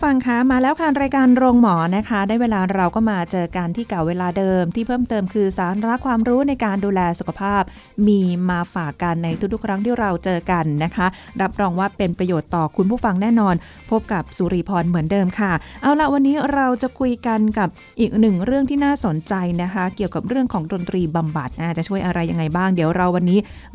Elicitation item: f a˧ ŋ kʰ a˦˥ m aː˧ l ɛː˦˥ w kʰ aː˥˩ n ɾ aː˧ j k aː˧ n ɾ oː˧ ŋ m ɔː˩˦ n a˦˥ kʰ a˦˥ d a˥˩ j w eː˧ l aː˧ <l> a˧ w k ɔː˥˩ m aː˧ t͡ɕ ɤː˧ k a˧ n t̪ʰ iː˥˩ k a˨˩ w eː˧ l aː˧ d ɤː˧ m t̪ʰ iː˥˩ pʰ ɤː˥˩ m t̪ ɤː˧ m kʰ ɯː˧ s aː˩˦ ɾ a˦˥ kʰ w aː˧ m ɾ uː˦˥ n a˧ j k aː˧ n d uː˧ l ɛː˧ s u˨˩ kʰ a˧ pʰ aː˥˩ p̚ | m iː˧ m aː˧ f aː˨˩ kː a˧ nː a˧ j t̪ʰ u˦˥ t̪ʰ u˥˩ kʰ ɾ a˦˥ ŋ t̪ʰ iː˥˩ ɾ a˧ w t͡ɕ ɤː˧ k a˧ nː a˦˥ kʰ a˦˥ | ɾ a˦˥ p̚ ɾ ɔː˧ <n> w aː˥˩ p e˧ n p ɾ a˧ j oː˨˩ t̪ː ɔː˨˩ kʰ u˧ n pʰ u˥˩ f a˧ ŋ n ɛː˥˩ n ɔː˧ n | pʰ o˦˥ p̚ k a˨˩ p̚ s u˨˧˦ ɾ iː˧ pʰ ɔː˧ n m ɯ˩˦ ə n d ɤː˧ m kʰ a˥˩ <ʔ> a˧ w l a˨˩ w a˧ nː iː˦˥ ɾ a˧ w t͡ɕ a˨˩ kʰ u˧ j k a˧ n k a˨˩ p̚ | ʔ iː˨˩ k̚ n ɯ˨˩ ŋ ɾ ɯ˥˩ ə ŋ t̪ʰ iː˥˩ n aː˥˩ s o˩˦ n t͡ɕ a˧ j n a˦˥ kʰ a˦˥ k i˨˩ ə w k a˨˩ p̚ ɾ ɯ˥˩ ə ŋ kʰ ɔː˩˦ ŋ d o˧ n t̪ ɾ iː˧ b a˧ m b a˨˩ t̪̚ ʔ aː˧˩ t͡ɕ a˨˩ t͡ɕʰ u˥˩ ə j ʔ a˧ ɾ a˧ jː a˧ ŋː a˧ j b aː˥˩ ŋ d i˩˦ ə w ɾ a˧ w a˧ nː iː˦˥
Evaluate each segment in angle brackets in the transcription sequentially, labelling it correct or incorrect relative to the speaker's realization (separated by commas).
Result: incorrect, incorrect, correct